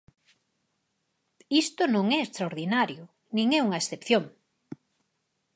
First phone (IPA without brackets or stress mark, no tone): i